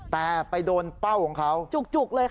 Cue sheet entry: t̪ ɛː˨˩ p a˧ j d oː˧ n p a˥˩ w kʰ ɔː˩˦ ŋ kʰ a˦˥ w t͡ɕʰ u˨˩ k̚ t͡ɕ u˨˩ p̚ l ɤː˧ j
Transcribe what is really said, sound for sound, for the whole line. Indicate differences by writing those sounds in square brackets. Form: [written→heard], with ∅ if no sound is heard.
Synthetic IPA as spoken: t̪ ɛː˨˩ p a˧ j d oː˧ n p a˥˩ w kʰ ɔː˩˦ ŋ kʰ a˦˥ w [t͡ɕʰ→t͡ɕ] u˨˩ k̚ t͡ɕ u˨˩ [p̚→k̚] l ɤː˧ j